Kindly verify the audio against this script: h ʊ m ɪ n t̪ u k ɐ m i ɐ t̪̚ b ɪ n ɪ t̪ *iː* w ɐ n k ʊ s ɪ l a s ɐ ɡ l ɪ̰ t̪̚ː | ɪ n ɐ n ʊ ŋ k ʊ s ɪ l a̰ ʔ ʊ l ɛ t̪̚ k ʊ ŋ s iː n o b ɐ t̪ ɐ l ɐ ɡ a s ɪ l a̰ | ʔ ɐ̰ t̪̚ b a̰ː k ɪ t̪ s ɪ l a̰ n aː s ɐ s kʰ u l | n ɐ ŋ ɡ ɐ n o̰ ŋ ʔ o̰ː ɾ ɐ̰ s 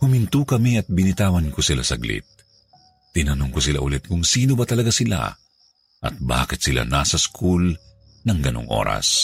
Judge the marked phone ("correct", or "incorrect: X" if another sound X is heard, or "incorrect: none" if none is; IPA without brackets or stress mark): incorrect: aː